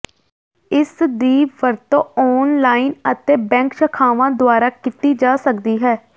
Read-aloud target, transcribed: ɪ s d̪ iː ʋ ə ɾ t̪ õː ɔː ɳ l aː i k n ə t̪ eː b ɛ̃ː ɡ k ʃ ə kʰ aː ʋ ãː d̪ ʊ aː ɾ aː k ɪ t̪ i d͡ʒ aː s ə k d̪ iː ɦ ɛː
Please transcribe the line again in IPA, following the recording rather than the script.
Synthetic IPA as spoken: ɪ s d̪ iː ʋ ə ɾ t̪ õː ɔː n l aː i n ə t̪ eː b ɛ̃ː ŋ k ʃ ə kʰ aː ʋ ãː d̪ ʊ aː ɾ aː k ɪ t̪ iː d͡ʒ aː s ə k d̪ iː ɦ ɛː